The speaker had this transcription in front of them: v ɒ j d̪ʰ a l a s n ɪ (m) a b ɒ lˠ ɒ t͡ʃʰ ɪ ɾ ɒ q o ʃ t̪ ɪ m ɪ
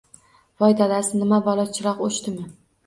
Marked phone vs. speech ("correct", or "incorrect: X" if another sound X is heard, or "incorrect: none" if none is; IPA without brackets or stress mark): correct